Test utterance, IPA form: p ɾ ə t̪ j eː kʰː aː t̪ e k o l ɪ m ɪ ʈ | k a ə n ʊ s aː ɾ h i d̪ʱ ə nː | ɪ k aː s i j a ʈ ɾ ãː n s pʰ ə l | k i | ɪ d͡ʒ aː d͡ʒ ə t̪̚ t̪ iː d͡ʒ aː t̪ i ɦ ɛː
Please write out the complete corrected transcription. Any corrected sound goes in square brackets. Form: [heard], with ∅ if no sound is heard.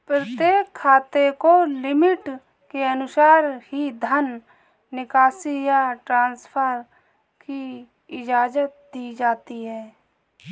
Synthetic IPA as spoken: p ɾ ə t̪ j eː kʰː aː t̪ e k o l ɪ m ɪ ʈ | k [e] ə n ʊ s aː ɾ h i d̪ʱ ə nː | ɪ k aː s i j a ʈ ɾ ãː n s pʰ ə [ɾ] | k i | ɪ d͡ʒ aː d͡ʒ ə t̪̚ [d̪] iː d͡ʒ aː t̪ i ɦ ɛː